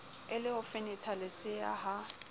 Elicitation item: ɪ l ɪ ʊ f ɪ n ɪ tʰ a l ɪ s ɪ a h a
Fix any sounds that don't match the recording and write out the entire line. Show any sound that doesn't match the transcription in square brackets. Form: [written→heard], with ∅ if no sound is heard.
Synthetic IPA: ɪ l ɪ ʊ f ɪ n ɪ tʰ a l ɪ s ɪ a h a